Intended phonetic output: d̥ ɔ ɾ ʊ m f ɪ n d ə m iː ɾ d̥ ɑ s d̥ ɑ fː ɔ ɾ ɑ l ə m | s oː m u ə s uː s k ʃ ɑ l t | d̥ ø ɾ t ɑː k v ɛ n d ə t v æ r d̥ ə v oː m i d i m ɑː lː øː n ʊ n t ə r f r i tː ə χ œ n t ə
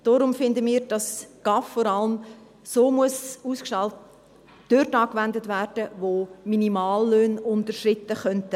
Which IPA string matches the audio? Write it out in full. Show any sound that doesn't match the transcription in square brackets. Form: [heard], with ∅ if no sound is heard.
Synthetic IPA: d̥ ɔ ɾ ʊ m f ɪ n d ə m iː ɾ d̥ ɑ s [ɡ̥] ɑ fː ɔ ɾ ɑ l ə m | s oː m u ə s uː s k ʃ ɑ l t | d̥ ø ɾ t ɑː k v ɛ n d ə t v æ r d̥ ə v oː m i [n] i m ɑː lː øː n ʊ n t ə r [ʃ] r [ɪ] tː ə χ œ n t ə